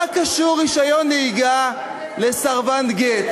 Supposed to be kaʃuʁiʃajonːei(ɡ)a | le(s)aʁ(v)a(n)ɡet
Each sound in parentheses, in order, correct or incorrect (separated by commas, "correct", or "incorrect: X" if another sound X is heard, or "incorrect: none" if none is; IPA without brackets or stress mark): correct, correct, correct, correct